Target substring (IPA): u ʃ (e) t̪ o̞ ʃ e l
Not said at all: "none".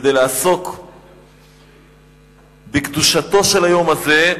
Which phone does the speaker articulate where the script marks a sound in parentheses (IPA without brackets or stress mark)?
a